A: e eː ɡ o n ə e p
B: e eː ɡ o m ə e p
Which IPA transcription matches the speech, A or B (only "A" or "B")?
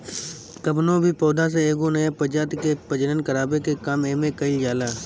A